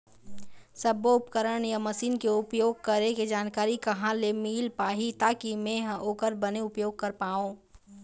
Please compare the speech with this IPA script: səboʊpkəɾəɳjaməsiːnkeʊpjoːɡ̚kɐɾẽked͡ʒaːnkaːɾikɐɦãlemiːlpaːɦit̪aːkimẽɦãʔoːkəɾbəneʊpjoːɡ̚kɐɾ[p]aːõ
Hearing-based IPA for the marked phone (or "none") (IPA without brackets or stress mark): p